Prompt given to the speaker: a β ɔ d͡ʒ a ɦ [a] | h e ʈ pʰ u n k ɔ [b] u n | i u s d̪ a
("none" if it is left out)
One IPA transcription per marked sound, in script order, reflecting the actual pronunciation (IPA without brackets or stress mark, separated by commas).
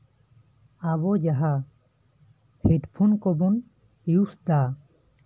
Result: a, b